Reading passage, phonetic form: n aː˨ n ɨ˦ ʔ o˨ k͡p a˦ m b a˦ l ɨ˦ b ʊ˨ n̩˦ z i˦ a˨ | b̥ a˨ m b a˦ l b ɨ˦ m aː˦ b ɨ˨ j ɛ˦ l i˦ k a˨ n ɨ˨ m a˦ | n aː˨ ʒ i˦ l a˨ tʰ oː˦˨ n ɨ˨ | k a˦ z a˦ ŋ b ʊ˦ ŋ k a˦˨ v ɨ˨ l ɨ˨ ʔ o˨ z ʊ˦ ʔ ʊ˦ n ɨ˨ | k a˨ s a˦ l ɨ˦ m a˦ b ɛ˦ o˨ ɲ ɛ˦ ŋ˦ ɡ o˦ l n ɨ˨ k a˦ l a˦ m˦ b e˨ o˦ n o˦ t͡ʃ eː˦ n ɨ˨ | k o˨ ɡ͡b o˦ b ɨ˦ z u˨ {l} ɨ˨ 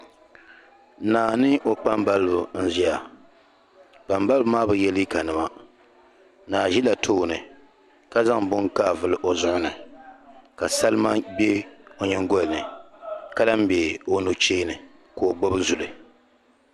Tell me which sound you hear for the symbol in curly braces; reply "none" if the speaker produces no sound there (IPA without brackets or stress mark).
l